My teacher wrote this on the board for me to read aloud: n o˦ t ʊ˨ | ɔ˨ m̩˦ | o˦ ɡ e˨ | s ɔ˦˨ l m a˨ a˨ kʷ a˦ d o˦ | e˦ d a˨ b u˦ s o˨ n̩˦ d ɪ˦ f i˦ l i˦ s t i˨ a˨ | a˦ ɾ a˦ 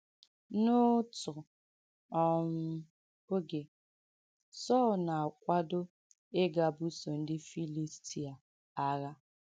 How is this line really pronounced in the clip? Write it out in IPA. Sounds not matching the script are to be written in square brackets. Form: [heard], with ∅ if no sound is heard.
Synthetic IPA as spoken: n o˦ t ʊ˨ | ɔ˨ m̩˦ | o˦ ɡ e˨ | s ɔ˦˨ l [n] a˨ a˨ kʷ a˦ d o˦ | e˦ [ɡ] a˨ b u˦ s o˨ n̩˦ d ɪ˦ f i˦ l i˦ s t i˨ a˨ | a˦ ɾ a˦